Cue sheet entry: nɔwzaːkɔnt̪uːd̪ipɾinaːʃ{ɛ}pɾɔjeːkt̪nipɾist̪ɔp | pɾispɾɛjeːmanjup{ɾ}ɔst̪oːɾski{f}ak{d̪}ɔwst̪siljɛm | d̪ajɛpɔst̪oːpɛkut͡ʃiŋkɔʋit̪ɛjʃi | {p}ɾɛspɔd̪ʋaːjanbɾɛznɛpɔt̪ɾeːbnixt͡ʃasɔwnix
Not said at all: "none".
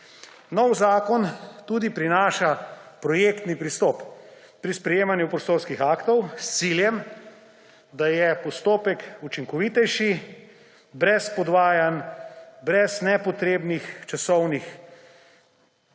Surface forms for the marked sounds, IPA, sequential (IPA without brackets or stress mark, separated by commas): a, ɾ, x, t̪, b